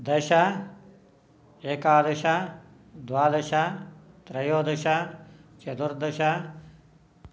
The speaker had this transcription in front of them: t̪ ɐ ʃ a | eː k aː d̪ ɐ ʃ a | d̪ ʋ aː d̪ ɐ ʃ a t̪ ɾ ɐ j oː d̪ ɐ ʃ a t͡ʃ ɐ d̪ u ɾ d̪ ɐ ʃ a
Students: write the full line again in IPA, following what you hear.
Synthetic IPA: d̪ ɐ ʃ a | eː k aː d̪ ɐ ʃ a | d̪ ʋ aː d̪ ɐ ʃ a t̪ ɾ ɐ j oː d̪ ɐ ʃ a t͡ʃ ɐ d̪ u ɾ d̪ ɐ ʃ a

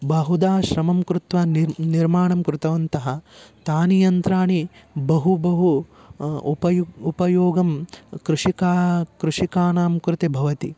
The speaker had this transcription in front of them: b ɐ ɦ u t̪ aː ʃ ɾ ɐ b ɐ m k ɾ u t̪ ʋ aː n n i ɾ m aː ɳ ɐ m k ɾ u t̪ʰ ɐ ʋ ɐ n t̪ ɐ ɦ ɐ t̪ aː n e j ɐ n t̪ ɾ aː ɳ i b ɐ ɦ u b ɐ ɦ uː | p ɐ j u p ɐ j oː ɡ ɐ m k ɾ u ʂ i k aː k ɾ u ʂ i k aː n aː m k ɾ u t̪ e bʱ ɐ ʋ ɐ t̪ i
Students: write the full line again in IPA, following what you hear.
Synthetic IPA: b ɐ ɦ u d̪ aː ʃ ɾ ɐ m ɐ m k ɾ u t̪ ʋ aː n n i ɾ m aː ɳ ɐ m k ɾ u t̪ ɐ ʋ ɐ n t̪ ɐ ɦ ɐ t̪ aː n i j ɐ n t̪ ɾ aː ɳ i b ɐ ɦ u b ɐ ɦ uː | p ɐ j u p ɐ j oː ɡ ɐ m k ɾ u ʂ i k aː k ɾ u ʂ i k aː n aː m k ɾ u t̪ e bʱ ɐ ʋ ɐ t̪ i

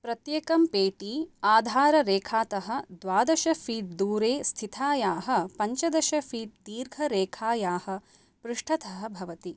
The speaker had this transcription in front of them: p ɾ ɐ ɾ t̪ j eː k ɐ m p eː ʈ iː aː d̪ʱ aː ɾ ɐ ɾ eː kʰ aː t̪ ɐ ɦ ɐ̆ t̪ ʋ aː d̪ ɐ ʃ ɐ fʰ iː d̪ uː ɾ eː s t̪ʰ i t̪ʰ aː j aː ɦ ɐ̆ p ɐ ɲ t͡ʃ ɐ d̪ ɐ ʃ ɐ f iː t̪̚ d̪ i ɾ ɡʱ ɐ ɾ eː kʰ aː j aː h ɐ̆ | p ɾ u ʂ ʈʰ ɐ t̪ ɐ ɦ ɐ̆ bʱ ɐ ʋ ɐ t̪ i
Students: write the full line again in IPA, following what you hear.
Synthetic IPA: p ɾ ɐ t̪ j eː k ɐ m p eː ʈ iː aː d̪ʱ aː ɾ ɐ ɾ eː kʰ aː t̪ ɐ ɦ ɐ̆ d̪ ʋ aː d̪ ɐ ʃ ɐ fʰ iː d̪ uː ɾ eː s t̪ʰ i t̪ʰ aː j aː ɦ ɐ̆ p ɐ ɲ t͡ʃ ɐ d̪ ɐ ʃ ɐ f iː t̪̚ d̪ iː ɾ ɡʱ ɐ ɾ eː kʰ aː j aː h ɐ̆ | p ɾ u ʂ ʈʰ ɐ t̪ ɐ ɦ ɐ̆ bʱ ɐ ʋ ɐ t̪ i

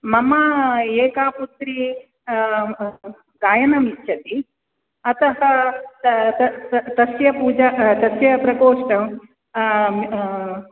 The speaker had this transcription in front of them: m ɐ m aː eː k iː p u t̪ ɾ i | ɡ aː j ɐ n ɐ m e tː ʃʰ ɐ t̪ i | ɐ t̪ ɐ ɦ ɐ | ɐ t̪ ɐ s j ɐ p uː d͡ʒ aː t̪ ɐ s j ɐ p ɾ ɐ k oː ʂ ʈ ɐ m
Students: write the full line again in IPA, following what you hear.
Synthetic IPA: m ɐ m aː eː k aː p u t̪ ɾ i | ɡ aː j ɐ n ɐ m i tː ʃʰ ɐ t̪ i | ɐ t̪ ɐ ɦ ɐ | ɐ t̪ ɐ s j ɐ p uː d͡ʒ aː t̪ ɐ s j ɐ p ɾ ɐ k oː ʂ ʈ ɐ m

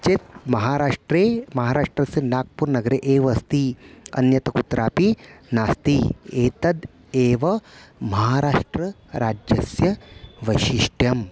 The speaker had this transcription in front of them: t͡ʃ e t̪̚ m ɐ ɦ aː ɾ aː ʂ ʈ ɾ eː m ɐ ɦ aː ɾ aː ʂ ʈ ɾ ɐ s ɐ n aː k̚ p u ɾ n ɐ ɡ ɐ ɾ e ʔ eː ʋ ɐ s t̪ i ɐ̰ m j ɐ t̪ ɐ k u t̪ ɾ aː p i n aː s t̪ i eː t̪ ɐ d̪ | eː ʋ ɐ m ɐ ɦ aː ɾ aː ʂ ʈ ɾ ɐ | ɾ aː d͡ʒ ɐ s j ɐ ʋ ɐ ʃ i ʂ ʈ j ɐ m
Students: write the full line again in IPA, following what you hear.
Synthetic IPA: t͡ʃ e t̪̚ m ɐ ɦ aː ɾ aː ʂ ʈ ɾ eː m ɐ ɦ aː ɾ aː ʂ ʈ ɾ ɐ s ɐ n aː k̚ p u ɾ n ɐ ɡ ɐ ɾ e ʔ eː ʋ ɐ s t̪ i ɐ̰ n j ɐ t̪ ɐ k u t̪ ɾ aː p i n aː s t̪ i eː t̪ ɐ d̪ | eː ʋ ɐ m ɐ ɦ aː ɾ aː ʂ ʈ ɾ ɐ | ɾ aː d͡ʒ ɐ s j ɐ ʋ ɐ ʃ i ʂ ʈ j ɐ m

